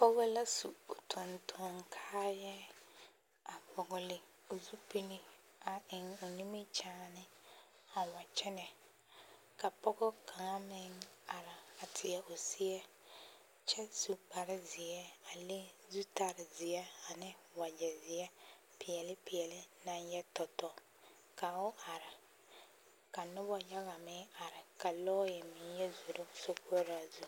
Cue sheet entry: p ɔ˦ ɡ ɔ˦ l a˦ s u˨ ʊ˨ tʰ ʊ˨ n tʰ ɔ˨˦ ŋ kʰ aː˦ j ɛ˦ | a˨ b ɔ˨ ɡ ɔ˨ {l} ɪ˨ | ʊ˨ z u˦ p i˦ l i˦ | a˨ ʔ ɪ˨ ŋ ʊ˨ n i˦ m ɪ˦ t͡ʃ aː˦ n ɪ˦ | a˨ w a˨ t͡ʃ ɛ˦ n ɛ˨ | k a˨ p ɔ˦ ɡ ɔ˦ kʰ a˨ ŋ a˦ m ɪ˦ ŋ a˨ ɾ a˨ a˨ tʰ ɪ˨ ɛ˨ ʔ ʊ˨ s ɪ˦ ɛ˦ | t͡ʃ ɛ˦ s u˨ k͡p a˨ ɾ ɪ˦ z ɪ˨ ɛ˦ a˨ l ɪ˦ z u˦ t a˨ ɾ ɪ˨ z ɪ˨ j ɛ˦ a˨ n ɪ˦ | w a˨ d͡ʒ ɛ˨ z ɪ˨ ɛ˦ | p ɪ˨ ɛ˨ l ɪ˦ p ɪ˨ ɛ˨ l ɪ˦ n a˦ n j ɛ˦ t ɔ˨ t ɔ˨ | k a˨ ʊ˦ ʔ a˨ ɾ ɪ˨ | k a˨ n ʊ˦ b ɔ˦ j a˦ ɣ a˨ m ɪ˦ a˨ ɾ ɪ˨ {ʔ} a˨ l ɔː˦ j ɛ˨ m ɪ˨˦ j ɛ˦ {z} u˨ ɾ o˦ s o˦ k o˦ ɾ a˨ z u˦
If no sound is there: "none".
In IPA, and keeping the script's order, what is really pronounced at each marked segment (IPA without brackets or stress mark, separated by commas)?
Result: l, k, z